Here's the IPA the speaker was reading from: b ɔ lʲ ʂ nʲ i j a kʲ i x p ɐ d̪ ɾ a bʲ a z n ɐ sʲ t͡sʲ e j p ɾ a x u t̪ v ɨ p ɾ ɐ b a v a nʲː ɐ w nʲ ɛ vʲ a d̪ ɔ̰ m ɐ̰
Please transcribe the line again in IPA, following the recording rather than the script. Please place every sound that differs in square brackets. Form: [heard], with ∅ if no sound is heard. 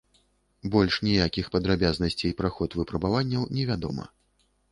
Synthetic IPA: b ɔ lʲ ʂ nʲ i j a kʲ i x p ɐ d̪ ɾ a bʲ a z n ɐ sʲ t͡sʲ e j p ɾ a x [ɔ] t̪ v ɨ p ɾ ɐ b a v a nʲː ɐ w nʲ ɛ vʲ a d̪ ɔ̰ m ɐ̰